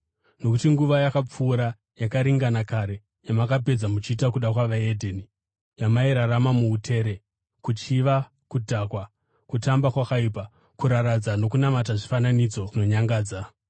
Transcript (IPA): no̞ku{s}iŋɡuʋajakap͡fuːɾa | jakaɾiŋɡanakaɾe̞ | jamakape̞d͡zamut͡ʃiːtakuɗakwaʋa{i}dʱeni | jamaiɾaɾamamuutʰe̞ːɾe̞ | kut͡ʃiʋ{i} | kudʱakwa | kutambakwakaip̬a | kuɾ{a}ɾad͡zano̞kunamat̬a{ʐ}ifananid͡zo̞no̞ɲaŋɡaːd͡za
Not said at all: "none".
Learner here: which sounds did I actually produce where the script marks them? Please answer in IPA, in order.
t, e, a, a, ʐ

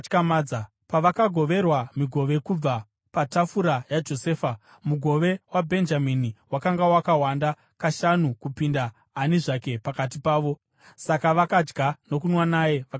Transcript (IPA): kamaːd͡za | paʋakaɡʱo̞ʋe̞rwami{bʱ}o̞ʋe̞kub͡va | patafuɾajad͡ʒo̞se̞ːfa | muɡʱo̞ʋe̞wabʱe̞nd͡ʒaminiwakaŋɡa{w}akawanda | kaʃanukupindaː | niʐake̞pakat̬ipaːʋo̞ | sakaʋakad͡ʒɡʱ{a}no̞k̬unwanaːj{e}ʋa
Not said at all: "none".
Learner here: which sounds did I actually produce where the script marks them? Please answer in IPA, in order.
ɡʱ, w, a, e

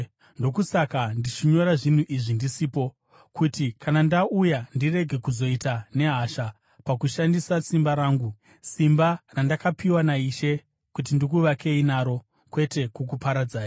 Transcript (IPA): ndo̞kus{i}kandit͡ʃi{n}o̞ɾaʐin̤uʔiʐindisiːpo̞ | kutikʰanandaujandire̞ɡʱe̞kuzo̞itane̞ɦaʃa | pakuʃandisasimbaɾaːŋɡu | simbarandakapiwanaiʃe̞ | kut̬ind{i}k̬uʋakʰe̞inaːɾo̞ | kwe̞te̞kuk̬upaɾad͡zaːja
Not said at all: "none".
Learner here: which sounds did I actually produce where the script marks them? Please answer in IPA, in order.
a, ɲ, i

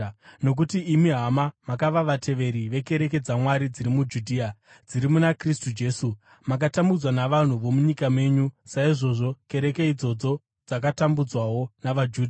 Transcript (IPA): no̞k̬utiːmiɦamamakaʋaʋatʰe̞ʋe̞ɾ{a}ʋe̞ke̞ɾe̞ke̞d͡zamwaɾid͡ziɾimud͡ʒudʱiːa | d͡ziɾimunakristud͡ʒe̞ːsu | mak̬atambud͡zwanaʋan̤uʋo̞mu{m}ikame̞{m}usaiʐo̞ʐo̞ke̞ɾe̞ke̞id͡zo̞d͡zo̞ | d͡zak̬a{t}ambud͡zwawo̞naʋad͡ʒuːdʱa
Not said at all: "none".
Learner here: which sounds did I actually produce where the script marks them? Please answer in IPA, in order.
i, ɲ, ɲ, t

